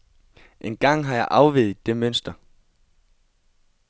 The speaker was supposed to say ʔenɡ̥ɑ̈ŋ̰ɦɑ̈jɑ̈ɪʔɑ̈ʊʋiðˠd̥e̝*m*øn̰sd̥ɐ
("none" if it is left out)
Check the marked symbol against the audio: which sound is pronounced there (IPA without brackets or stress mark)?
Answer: m